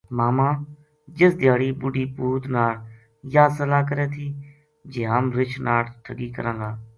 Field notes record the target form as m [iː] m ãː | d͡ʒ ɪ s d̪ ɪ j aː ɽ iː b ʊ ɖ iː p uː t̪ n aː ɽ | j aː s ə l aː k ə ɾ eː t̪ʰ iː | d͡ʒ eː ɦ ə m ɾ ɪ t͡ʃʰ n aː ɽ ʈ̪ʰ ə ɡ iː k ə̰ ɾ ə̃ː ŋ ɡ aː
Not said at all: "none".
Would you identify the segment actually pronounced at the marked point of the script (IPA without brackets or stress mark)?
aː